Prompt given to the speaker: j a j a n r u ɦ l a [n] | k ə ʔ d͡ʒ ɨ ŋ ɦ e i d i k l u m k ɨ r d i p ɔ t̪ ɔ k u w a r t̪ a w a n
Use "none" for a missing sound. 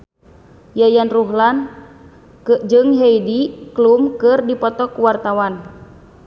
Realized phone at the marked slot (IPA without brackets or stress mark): n